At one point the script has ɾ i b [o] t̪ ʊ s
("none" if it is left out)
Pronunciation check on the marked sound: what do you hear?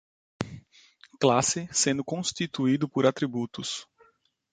u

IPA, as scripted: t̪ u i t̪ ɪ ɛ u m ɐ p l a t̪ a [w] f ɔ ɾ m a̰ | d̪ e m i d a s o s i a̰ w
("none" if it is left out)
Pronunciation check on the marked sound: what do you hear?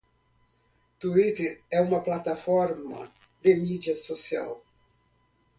none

